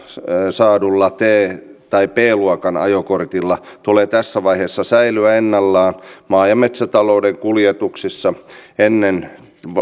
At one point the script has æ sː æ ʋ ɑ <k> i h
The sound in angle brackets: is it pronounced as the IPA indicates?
no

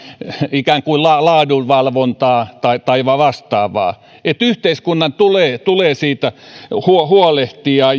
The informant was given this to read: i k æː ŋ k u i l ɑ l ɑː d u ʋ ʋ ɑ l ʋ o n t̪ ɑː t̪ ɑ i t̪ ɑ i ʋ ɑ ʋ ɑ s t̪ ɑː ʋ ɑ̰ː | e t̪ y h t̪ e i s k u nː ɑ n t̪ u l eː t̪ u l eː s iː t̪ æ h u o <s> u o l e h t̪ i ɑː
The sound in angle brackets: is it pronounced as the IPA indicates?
no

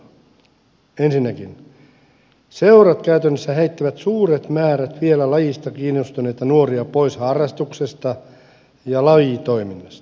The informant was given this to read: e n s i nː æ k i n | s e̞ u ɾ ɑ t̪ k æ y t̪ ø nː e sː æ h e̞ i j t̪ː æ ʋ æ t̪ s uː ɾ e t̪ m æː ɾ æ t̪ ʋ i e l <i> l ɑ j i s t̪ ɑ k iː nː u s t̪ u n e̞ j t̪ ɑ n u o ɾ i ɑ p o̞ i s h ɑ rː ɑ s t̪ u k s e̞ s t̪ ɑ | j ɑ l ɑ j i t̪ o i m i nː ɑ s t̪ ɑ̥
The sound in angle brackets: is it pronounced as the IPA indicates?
no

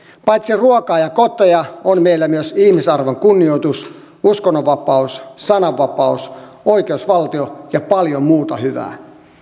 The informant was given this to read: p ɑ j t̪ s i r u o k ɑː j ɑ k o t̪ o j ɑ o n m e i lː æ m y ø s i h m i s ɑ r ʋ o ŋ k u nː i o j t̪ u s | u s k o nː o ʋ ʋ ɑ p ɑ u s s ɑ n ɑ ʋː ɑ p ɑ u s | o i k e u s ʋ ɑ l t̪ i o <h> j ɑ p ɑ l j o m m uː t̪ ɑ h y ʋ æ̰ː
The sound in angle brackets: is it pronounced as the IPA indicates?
no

